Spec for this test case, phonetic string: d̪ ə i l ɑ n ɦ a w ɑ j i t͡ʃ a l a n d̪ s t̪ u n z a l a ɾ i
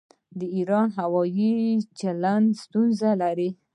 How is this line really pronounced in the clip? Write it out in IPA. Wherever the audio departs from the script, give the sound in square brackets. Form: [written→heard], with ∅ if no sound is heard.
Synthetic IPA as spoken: d̪ ə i [l→ɾ] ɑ n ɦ a w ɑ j i t͡ʃ a l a n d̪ s t̪ u n z a l a ɾ i

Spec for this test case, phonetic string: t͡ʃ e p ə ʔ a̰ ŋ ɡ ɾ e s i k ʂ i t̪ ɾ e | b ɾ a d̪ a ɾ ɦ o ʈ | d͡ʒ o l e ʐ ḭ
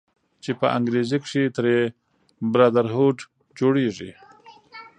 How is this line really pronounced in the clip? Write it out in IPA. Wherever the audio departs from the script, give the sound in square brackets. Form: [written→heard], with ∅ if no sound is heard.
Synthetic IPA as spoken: t͡ʃ e p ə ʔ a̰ ŋ ɡ ɾ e [s→z] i k ʂ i t̪ ɾ e | b ɾ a d̪ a ɾ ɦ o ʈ | d͡ʒ o [l→ɽ] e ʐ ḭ

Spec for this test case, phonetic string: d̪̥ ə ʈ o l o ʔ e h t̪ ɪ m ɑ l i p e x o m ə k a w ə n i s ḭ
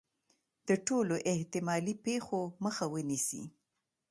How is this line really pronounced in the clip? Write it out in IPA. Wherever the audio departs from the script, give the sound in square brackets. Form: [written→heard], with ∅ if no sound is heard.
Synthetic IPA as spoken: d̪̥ ə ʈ o l o ʔ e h t̪ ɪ m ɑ l i p e x o m ə [k→x] a w ə n i s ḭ

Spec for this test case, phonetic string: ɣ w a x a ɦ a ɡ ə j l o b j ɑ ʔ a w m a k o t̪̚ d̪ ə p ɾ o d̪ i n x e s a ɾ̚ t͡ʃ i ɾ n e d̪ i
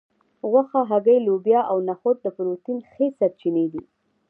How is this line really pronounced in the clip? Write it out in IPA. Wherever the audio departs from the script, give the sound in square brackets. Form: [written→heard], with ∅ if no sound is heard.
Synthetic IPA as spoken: ɣ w a x a ɦ a ɡ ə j l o b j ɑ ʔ a w [m→n] a [k→x] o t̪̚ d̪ ə p ɾ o [d̪→t̪] i n x e s a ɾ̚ t͡ʃ i [ɾ→∅] n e d̪ i

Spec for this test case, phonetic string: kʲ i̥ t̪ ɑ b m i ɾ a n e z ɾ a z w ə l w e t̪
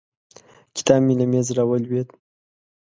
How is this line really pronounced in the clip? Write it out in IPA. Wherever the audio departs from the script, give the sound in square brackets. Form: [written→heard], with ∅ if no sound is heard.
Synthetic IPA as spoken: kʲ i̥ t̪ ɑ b m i [ɾ→l] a [n→m] e z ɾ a [z→∅] w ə l w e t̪

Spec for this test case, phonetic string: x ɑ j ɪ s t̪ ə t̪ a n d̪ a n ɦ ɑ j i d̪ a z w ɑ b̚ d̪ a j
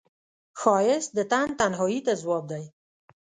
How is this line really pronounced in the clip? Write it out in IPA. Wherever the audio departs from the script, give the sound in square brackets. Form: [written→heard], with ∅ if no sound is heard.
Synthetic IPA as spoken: x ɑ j ɪ s [t̪→d̪] ə t̪ a n [d̪→t̪] a n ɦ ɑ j i [d̪→t̪] a z w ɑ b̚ d̪ a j

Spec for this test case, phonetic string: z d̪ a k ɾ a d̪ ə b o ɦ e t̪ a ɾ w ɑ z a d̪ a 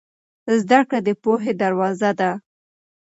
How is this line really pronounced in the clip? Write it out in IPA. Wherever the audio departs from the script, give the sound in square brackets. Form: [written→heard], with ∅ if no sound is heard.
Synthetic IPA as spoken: z d̪ a k [ɾ→ɽ] a d̪ ə [b→p] o ɦ e [t̪→d̪] a ɾ w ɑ z a d̪ a

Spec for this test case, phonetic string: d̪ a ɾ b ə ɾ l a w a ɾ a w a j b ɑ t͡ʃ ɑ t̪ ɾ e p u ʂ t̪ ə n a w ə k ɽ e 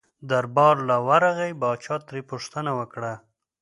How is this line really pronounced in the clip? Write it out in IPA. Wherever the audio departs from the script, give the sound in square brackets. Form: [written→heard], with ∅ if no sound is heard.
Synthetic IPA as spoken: d̪ a ɾ b [ə→ɑ] ɾ l a w a ɾ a [w→ɣ] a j b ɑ t͡ʃ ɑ t̪ ɾ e p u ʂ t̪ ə n a w ə k ɽ [e→a]

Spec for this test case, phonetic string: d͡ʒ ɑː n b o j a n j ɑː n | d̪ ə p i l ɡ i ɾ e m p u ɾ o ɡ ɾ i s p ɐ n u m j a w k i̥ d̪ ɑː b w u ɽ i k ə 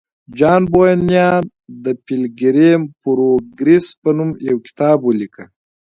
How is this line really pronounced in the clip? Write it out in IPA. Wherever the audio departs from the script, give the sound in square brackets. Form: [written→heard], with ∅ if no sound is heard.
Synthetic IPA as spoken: d͡ʒ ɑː n b o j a n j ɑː n | d̪ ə p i l ɡ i ɾ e m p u ɾ o ɡ ɾ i s p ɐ n u m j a w k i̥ [d̪→t̪] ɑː b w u [ɽ→l] i k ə

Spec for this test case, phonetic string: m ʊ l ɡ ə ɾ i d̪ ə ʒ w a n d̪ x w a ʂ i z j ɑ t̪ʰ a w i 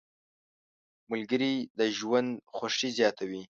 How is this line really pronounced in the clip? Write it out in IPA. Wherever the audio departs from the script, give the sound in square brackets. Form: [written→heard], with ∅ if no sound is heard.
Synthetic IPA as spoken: m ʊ l ɡ ə ɾ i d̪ ə ʒ w a n d̪ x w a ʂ i z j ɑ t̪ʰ a w i

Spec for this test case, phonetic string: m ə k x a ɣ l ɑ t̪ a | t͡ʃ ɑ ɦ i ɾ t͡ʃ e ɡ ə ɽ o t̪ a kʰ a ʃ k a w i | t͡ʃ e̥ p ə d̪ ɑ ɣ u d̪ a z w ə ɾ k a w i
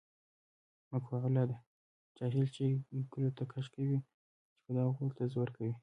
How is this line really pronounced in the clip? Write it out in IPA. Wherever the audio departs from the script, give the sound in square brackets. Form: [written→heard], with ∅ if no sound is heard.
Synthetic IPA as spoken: m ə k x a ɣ l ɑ [t̪→d̪] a | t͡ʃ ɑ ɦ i [ɾ→l] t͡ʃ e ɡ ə [ɽ→l] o t̪ a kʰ a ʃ k a w i | t͡ʃ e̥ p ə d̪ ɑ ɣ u [d̪→t̪] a z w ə ɾ k a w i

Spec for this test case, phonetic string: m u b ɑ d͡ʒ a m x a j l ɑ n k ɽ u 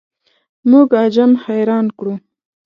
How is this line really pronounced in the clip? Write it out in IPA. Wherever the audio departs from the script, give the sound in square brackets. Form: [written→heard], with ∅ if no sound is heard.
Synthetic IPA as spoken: m u [b→ɡ] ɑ d͡ʒ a m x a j [l→ɾ] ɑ n k ɽ u

